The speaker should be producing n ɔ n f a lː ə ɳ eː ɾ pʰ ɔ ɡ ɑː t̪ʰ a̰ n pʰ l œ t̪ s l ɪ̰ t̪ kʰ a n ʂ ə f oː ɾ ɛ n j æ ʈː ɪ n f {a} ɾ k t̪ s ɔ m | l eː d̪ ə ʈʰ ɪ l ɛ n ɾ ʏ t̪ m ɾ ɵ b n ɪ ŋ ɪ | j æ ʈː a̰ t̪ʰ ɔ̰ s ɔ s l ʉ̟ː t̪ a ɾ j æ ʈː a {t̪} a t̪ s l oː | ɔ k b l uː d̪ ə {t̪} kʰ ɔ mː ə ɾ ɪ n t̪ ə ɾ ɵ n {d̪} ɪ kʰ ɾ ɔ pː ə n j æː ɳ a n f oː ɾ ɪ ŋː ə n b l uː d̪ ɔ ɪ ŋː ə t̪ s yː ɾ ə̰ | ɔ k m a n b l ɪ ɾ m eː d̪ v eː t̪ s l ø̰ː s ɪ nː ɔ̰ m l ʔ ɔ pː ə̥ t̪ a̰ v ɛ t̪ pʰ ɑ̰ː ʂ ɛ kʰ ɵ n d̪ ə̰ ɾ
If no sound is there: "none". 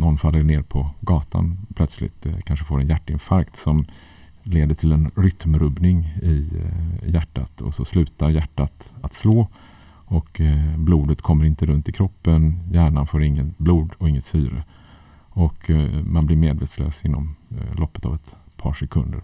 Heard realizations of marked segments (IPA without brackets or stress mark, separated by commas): a, t̪, t̪, t̪